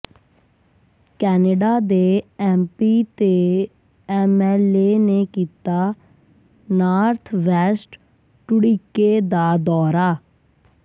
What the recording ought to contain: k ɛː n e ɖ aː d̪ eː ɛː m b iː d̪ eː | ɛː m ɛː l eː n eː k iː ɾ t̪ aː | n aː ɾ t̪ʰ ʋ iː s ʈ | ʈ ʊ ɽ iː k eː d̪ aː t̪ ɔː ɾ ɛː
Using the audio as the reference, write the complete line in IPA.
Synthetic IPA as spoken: k ɛː n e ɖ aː d̪ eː ɛː m p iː t̪ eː | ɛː m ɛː l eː n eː k iː t̪ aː | n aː ɾ t̪ʰ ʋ ɛː s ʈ | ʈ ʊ ɽ iː k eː d̪ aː d̪ ɔː ɾ aː

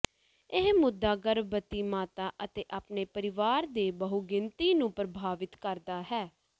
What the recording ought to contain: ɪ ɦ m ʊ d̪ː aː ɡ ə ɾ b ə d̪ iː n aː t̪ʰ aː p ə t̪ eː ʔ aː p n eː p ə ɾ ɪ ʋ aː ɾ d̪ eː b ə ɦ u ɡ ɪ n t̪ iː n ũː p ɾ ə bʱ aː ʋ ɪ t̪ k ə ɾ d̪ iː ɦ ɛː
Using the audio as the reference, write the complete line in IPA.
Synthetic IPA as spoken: ɪ ɦ m ʊ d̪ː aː ɡ ə ɾ b ə t̪ iː m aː t̪ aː ʔ ə t̪ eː ʔ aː p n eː p ə ɾ ɪ ʋ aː ɾ d̪ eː b ə ɦ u ɡ ɪ n t̪ iː n ũː p ɾ ə bʱ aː ʋ ɪ t̪ k ə ɾ d̪ aː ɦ ɛː

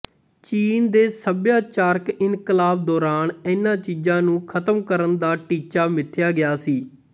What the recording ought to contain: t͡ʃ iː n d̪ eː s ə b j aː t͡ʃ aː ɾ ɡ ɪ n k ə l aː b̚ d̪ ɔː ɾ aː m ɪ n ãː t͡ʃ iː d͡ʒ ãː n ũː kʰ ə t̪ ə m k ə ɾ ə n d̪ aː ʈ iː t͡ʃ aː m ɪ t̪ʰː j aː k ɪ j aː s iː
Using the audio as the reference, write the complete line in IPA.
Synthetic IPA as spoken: t͡ʃ iː n d̪ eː s ə b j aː t͡ʃ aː ɾ k ɪ n k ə l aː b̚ d̪ ɔː ɾ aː n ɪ n ãː t͡ʃ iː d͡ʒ ãː n ũː kʰ ə t̪ ə m k ə ɾ ə n d̪ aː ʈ iː t͡ʃ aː m ɪ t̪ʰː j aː ɡ ɪ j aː s iː

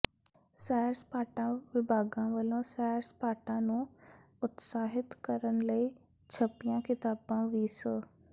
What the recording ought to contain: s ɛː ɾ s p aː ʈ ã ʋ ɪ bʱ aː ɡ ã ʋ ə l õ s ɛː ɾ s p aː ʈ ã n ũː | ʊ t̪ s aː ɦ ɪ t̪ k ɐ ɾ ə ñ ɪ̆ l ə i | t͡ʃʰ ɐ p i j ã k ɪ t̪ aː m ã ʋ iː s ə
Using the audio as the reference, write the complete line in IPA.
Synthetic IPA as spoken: s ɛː ɾ s p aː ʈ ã ʋ ɪ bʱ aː ɡ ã ʋ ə l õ s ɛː ɾ s p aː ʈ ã n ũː | ʊ t̪ s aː ɦ ɪ t̪ k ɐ ɾ ə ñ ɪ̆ l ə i | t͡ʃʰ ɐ p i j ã k ɪ t̪ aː b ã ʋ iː s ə

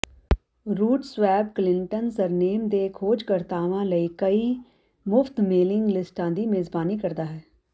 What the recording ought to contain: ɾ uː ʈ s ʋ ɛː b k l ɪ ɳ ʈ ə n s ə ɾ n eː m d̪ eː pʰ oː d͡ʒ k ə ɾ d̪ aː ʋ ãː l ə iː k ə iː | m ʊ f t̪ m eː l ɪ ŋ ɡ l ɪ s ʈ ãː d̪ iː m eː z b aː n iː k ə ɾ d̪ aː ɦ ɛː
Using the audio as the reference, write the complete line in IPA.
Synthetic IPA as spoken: ɾ uː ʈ s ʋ ɛː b k l ɪ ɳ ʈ ə n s ə ɾ n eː m d̪ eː kʰ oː d͡ʒ k ə ɾ t̪ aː ʋ ãː l ə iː k ə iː | m ʊ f t̪ m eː l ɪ ŋ ɡ l ɪ s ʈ ãː d̪ iː m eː z b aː n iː k ə ɾ d̪ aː ɦ ɛː

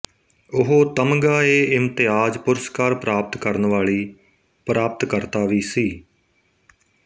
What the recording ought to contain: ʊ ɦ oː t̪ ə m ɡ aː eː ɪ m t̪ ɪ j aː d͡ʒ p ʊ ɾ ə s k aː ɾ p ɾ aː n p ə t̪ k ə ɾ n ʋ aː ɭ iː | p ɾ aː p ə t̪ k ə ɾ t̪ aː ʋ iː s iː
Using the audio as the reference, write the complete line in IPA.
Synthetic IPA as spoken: ʊ ɦ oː t̪ ə m ɡ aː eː ɪ m t̪ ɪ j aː d͡ʒ p ʊ ɾ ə s k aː ɾ p ɾ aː p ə t̪ k ə ɾ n ʋ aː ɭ iː | p ɾ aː p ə t̪ k ə ɾ t̪ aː ʋ iː s iː

